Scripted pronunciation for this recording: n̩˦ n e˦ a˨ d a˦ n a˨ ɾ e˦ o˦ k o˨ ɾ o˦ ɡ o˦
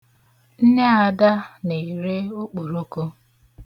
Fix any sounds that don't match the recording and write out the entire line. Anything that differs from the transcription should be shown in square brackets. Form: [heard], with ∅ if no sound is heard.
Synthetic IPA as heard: n̩˦ n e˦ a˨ d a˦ n [e˨] ɾ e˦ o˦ [k͡p] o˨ ɾ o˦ [k] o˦